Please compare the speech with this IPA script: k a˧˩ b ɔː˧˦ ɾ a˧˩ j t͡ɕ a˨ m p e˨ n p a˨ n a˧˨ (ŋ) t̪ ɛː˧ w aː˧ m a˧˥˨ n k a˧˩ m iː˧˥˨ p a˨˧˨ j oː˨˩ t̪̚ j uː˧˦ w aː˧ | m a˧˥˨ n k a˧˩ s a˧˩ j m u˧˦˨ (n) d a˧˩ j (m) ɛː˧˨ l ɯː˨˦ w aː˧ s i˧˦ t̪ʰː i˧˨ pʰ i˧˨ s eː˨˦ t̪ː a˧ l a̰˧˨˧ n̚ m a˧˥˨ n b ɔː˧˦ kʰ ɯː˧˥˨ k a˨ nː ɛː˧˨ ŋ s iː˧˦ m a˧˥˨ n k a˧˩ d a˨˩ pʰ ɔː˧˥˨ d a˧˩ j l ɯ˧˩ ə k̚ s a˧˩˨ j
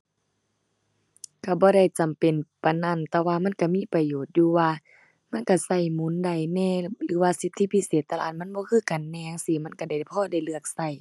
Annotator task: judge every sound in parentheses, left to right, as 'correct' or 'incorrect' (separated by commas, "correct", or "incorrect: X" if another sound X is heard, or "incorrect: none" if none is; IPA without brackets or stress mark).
incorrect: n, correct, incorrect: n